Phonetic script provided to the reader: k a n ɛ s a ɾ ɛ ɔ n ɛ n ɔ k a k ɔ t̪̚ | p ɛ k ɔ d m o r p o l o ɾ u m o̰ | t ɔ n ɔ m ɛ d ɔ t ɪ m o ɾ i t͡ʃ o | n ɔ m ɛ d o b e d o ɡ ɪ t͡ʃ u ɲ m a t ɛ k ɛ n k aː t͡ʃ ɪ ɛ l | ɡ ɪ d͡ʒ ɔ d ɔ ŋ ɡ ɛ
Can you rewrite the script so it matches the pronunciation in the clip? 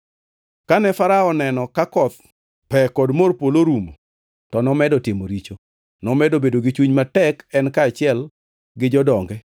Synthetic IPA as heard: k a n ɛ f a ɾ a ɔ n ɛ n ɔ k a k ɔ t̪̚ | p ɛ k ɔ d m o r p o l o ɾ u m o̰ | t ɔ n ɔ m ɛ d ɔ t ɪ m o ɾ i t͡ʃ o | n ɔ m ɛ d o b e d o ɡ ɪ t͡ʃ u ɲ m a t ɛ k ɛ n k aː t͡ʃ ɪ ɛ l | ɡ ɪ d͡ʒ ɔ d ɔ ŋ ɡ ɛ